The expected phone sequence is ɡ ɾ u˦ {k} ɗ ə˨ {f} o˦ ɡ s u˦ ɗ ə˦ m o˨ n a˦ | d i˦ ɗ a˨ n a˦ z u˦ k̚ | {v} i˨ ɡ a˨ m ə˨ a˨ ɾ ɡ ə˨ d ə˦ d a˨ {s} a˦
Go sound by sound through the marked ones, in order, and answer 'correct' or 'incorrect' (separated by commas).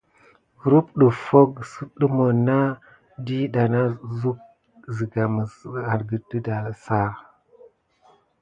incorrect, correct, incorrect, correct